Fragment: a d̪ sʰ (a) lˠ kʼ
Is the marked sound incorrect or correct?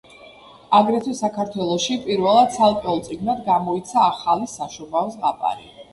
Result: correct